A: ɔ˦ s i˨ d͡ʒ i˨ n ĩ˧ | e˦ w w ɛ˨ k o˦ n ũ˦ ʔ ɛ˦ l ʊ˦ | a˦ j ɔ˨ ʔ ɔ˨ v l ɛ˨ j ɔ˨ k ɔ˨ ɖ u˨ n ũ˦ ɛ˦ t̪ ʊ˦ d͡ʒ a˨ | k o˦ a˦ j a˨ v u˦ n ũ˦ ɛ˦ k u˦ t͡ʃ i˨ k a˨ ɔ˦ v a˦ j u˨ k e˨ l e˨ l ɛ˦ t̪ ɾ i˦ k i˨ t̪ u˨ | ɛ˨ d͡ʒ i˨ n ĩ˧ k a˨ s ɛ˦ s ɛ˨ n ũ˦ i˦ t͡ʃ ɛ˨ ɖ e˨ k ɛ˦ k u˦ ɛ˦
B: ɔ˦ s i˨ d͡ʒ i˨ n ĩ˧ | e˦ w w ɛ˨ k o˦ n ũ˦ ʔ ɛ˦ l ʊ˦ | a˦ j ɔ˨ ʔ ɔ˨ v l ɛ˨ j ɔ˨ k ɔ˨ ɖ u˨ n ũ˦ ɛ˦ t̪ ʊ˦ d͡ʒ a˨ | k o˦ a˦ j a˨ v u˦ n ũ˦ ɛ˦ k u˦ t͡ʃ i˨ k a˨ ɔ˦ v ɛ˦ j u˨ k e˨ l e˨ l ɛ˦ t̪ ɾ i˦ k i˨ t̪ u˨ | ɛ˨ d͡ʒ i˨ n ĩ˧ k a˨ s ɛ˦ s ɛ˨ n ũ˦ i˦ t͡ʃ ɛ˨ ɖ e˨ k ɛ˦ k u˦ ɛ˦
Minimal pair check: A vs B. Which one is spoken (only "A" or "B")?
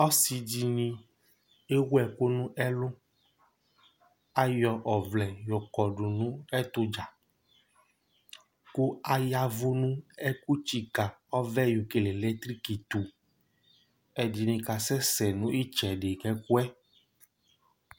B